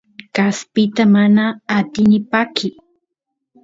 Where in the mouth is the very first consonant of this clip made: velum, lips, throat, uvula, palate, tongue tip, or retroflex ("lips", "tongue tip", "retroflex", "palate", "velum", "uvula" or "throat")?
velum